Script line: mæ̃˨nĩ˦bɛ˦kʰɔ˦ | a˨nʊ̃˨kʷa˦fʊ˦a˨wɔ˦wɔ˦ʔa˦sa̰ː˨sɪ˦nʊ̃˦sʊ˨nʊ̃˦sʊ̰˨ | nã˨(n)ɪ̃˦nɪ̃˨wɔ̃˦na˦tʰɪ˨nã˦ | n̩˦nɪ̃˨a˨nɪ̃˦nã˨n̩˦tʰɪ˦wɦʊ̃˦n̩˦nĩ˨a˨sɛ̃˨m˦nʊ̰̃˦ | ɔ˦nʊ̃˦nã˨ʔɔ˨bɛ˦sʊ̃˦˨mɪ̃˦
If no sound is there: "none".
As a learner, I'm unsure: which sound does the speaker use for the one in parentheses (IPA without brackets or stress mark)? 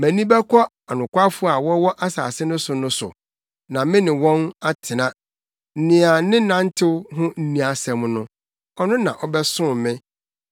m